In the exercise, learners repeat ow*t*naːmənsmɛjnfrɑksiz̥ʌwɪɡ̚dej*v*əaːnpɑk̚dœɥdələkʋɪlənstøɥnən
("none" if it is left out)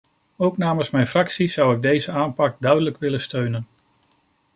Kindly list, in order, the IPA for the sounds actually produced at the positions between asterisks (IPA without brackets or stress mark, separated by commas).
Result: k, z